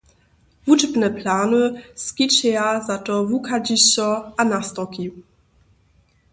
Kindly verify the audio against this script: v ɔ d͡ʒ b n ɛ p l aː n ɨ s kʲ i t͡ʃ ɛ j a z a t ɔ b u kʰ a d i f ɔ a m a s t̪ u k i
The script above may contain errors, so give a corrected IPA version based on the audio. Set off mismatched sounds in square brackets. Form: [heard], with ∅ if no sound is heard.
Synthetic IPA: v [u] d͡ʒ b n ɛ p l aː n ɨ s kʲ i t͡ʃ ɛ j a z a t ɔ [v] u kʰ a [d͡ʑ] i [ɕ] ɔ a [n] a s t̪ [ɔ] k i